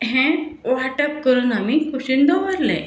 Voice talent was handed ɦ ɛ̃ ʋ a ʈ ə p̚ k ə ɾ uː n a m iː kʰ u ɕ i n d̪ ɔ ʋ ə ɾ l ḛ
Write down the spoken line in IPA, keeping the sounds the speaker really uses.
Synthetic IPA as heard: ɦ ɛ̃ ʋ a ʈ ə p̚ k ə ɾ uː n a m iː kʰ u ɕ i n d̪ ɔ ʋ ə ɾ l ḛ